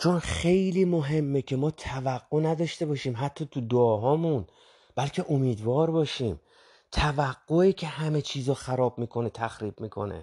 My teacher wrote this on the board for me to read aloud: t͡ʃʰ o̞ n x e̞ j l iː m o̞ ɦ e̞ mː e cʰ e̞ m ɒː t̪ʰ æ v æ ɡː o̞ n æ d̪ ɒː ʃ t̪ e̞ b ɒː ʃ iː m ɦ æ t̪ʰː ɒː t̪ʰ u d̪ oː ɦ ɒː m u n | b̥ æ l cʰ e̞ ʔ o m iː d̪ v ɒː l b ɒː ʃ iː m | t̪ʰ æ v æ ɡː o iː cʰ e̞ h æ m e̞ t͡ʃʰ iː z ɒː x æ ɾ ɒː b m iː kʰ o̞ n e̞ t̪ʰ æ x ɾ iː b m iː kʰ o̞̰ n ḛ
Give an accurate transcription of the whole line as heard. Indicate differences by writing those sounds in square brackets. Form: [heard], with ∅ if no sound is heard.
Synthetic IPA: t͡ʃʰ o̞ n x e̞ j l iː m o̞ ɦ e̞ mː e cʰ e̞ m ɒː t̪ʰ æ v æ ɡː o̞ n æ d̪ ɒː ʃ t̪ e̞ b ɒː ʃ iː m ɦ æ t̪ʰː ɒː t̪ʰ u d̪ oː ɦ ɒː m u n | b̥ æ l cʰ e̞ ʔ o m iː d̪ v ɒː [ɾ] b ɒː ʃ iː m | t̪ʰ æ v æ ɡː o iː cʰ e̞ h æ m e̞ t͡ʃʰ iː z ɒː x æ ɾ ɒː b m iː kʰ o̞ n e̞ t̪ʰ æ x ɾ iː b m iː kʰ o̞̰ n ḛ